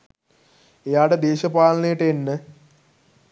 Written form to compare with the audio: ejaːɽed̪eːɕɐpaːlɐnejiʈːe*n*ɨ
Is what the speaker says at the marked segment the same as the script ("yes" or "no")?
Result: no